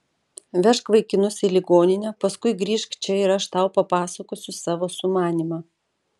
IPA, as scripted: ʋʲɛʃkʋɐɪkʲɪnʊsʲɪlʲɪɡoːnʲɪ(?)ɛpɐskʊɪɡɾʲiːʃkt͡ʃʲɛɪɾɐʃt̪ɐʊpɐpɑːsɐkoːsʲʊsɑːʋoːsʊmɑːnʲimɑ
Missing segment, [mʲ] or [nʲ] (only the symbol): nʲ